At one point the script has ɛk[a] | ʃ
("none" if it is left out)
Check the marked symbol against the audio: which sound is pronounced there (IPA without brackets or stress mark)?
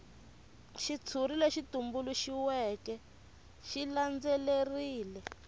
ɛ